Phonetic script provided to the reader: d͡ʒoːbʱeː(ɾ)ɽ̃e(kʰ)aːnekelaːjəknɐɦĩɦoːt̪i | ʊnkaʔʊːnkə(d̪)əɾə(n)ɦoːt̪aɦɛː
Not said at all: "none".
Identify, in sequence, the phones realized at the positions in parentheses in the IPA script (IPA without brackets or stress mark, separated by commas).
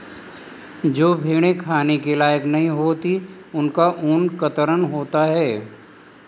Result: none, kʰ, t̪, n